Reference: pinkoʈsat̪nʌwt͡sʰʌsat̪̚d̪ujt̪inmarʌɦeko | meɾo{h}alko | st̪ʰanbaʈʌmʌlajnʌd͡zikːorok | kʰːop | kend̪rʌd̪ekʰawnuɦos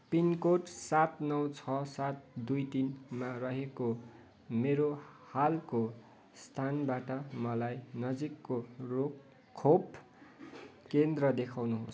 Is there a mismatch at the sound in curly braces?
no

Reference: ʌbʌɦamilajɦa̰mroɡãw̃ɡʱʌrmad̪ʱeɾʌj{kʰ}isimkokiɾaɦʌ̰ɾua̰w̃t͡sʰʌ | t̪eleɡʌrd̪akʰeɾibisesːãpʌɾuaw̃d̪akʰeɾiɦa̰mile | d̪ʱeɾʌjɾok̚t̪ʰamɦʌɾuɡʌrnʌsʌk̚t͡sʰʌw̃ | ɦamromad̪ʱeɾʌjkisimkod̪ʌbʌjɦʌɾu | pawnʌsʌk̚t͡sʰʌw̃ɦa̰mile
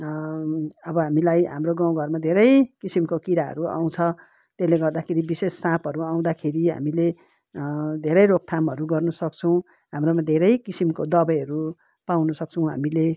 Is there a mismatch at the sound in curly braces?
yes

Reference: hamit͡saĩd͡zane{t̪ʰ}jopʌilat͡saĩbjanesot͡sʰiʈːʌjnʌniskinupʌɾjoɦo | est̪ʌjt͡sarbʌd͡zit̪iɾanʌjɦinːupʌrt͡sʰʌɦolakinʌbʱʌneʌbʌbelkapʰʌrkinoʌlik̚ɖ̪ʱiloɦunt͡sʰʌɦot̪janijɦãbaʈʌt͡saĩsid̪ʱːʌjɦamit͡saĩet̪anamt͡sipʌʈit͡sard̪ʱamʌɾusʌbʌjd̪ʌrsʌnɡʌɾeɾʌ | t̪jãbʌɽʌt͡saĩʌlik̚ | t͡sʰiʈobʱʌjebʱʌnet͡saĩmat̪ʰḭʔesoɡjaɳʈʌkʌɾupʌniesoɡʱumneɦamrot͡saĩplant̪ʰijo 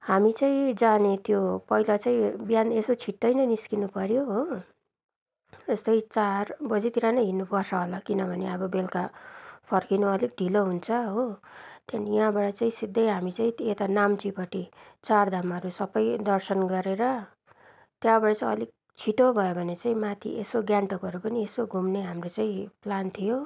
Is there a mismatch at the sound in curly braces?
yes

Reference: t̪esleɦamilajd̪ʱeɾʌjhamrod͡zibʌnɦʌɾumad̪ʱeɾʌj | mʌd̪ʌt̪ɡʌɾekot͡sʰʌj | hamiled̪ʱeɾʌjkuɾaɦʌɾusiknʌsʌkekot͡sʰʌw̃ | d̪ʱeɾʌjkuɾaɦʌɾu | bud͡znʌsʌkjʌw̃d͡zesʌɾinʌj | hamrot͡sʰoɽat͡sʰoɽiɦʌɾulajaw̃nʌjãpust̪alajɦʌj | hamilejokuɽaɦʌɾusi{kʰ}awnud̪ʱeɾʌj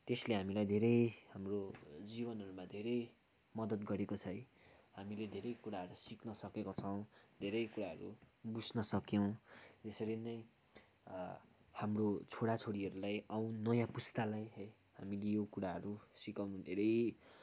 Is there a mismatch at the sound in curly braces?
yes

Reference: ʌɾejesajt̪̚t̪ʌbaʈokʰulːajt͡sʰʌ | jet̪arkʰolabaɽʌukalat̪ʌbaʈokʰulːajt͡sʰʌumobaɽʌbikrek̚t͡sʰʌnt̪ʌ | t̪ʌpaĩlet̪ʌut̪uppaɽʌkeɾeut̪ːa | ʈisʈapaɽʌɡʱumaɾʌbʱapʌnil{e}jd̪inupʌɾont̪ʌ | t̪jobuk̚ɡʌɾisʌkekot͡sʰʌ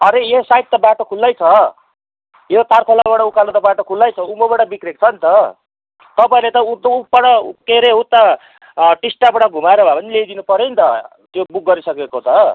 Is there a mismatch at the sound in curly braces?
no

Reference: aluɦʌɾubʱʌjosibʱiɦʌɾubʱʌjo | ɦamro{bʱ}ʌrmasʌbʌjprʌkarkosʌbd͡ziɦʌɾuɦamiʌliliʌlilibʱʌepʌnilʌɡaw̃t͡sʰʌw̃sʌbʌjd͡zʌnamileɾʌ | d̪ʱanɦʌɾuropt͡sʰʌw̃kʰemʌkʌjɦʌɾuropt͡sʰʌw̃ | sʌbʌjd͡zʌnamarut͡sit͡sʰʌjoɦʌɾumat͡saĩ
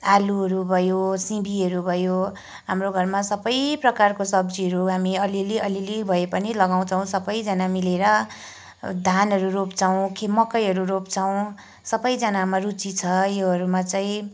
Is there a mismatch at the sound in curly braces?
yes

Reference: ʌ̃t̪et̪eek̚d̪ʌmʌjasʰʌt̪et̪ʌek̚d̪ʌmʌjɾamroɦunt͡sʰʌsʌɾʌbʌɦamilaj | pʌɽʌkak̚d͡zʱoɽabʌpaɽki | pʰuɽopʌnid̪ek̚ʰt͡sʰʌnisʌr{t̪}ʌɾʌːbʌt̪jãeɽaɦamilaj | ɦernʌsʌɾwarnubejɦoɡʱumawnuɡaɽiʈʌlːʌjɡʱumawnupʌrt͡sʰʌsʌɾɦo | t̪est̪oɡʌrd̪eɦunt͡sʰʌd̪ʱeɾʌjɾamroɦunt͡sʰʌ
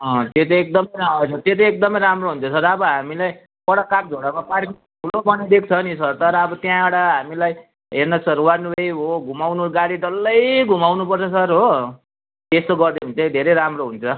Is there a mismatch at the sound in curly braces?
no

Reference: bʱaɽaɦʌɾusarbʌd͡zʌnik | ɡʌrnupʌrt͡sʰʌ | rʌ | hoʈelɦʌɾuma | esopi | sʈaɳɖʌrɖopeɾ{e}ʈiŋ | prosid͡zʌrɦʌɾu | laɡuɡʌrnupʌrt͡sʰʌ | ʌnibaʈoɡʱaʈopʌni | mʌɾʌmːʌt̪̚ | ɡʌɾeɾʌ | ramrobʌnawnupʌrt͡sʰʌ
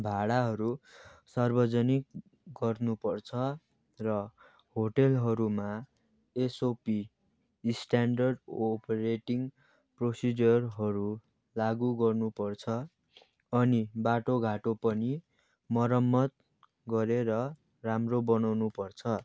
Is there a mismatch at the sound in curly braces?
no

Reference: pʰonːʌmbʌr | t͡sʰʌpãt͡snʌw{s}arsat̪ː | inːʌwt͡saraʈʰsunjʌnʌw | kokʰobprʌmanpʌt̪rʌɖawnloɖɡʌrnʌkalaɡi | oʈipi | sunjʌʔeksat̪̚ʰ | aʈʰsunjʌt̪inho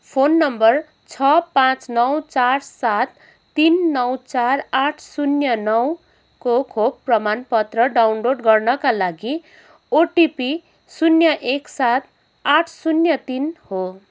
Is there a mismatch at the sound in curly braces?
yes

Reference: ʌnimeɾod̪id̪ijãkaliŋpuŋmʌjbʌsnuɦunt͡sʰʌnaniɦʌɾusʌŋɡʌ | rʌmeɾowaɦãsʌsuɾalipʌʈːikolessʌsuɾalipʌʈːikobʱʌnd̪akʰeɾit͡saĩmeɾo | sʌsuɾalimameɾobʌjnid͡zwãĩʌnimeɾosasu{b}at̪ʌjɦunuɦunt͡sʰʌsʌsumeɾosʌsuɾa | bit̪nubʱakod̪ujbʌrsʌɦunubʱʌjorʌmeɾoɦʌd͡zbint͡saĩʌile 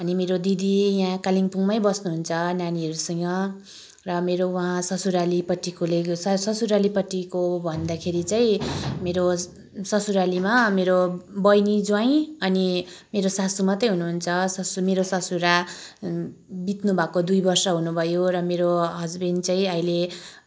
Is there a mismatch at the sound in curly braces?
yes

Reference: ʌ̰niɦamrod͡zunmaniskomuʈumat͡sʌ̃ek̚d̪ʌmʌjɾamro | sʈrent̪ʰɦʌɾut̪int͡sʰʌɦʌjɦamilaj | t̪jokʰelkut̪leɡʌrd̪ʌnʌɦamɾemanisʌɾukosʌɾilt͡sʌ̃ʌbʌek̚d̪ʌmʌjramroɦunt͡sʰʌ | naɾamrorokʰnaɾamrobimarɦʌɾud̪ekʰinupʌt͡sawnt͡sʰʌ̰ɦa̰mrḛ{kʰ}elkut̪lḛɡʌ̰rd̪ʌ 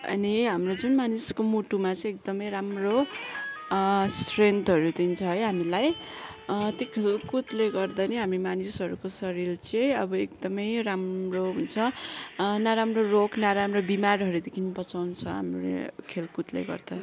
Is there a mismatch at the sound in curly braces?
no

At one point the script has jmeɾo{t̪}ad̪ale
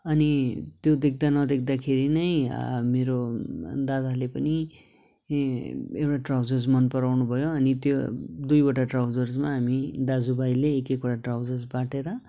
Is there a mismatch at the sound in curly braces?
yes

